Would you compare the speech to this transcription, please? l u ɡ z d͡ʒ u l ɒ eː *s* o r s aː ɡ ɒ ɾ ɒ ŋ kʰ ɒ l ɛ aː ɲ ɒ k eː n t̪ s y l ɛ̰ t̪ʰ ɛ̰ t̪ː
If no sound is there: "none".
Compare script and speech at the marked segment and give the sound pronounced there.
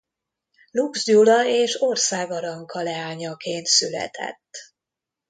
ʃ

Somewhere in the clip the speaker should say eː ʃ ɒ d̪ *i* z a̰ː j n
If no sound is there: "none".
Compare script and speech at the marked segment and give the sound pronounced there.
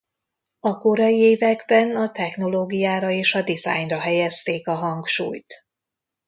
i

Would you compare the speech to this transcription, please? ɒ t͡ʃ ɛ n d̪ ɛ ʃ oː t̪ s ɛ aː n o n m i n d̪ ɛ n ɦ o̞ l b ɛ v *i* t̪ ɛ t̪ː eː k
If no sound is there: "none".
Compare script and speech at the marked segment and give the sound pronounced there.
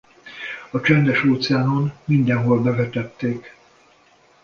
ɛ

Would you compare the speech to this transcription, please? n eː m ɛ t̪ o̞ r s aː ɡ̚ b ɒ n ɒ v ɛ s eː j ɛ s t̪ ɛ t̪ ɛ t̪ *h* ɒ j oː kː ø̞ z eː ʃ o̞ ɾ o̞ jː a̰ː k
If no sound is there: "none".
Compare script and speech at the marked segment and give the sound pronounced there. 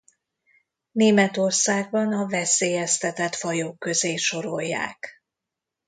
f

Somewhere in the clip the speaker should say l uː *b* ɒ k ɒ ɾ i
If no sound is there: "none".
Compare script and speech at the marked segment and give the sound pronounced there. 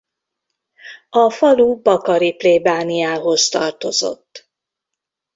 b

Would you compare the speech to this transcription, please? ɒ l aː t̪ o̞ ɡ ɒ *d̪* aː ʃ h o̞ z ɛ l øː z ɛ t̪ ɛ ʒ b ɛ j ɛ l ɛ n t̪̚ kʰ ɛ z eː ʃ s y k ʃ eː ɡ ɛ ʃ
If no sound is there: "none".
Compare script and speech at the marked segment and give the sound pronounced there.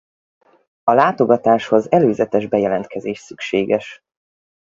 t̪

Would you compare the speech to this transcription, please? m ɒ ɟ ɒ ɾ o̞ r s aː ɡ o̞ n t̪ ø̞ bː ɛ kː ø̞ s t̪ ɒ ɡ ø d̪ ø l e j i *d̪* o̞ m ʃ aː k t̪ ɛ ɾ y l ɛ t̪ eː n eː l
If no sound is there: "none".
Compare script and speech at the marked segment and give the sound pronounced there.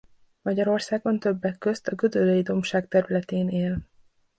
d̪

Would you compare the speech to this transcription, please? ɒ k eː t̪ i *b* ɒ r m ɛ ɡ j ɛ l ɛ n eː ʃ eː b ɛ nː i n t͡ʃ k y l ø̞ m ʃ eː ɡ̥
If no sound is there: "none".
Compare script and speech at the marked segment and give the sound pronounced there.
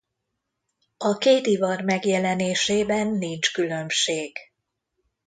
v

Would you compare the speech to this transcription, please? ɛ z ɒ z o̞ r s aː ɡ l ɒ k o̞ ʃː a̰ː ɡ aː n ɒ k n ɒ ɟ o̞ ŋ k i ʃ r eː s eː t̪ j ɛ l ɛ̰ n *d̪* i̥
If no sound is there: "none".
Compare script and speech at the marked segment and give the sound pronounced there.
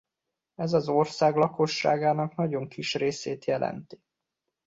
t̪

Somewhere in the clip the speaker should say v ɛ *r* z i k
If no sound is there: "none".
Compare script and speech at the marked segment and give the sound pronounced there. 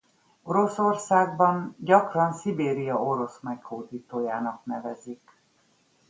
none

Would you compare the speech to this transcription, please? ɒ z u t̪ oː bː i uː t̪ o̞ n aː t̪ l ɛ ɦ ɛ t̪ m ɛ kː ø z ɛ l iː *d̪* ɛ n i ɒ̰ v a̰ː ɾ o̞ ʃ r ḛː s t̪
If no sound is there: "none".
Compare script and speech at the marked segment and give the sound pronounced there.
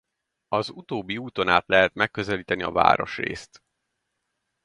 t̪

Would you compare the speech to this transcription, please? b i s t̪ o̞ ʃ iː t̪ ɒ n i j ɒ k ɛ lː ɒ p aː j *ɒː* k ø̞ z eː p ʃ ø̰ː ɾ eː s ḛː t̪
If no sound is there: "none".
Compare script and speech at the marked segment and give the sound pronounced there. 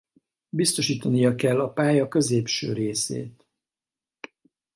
ɒ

